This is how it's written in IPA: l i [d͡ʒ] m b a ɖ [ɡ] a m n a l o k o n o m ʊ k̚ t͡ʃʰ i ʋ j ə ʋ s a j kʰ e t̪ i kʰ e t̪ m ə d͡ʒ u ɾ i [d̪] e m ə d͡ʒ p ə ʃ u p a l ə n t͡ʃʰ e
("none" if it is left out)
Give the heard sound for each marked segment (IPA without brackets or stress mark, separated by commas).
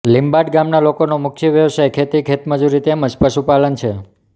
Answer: none, ɡ, t̪